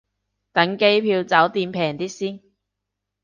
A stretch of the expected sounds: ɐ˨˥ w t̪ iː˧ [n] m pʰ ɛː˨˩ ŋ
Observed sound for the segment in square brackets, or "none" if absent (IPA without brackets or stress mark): none